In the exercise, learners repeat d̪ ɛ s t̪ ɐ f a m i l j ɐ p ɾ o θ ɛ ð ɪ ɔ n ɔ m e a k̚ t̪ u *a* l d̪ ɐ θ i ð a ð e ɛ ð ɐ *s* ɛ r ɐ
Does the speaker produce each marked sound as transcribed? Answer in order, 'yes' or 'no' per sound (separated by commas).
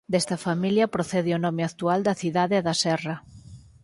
yes, yes